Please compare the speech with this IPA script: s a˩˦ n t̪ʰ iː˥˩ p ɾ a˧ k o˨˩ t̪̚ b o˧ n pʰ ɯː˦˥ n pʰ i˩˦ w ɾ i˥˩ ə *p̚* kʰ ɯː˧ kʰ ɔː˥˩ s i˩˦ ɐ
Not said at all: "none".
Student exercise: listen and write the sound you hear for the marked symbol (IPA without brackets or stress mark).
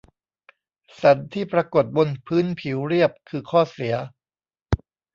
p̚